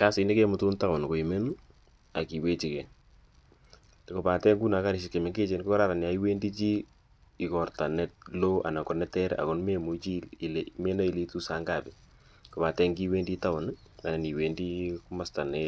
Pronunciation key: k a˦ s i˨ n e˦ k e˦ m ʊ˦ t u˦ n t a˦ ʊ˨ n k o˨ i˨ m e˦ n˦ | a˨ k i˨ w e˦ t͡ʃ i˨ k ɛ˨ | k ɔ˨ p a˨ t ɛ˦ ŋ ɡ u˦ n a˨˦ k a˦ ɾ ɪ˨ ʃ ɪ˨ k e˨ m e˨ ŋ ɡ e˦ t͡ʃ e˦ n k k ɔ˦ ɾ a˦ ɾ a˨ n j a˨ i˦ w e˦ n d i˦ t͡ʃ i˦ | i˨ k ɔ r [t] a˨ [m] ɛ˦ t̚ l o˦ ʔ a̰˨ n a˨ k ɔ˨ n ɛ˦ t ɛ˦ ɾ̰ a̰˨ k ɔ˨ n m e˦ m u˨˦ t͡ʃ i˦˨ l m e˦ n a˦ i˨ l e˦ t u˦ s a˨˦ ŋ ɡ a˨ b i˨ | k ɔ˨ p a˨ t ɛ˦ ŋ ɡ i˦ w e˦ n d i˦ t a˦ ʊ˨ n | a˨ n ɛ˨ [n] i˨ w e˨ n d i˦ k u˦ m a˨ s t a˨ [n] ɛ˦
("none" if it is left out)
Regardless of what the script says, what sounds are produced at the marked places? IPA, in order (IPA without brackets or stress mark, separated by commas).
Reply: t, n, n, n